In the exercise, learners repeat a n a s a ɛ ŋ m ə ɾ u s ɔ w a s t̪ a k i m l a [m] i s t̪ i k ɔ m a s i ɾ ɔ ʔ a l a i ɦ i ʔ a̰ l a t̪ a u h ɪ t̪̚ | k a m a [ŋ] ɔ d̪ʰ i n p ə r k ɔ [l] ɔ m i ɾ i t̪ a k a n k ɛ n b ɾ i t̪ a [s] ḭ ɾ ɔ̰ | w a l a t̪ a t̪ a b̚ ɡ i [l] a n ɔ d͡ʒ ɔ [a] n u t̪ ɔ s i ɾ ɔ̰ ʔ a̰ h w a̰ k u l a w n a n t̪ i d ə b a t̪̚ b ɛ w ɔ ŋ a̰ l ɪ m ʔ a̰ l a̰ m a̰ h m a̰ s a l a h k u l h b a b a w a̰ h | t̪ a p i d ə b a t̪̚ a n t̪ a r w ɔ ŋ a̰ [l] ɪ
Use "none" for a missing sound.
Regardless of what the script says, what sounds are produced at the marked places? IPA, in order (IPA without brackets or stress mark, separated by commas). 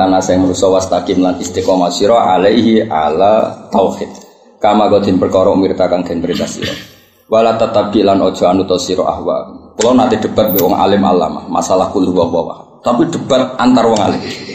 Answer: n, ɡ, ɾ, s, l, a, l